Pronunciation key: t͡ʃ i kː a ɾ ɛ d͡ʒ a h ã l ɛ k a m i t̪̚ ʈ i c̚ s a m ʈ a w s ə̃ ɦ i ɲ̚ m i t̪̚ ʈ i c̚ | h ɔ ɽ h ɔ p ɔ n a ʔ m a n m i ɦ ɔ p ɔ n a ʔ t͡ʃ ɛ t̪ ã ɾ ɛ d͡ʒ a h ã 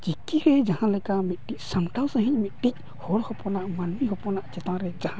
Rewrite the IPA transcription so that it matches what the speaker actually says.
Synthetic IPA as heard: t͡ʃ i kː i ɾ ɛ d͡ʒ a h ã l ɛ k a m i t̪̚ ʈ i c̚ s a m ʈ a w s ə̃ ɦ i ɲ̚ m i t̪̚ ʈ i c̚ | h ɔ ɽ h ɔ p ɔ n a ʔ m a n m i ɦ ɔ p ɔ n a ʔ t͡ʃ ɛ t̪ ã ɾ ɛ d͡ʒ a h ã